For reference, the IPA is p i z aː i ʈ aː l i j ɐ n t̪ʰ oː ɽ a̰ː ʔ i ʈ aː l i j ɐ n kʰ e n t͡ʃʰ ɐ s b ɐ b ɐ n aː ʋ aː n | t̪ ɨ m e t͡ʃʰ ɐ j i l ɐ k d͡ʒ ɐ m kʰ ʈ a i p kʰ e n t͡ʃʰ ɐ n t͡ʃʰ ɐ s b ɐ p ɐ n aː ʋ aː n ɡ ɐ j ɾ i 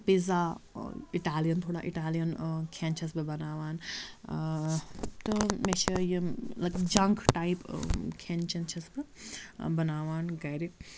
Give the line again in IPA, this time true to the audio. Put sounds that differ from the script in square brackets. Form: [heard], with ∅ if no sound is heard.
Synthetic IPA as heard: p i z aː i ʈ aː l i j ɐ n t̪ʰ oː ɽ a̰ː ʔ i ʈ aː l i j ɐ n kʰ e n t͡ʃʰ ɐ s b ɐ b ɐ n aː ʋ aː n | t̪ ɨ m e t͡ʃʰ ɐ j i l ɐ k d͡ʒ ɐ [ŋ] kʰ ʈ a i p kʰ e n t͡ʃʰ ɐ n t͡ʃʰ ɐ s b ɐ [b] ɐ n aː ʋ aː n ɡ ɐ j ɾ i